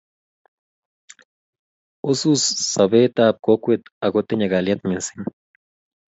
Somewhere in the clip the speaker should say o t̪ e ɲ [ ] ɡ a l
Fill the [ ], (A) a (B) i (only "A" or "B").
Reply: A